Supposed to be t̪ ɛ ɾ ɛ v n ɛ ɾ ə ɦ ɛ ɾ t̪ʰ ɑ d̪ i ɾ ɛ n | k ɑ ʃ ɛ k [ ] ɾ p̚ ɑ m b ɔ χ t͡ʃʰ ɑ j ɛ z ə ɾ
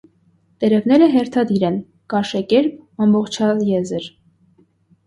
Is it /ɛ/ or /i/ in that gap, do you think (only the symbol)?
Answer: ɛ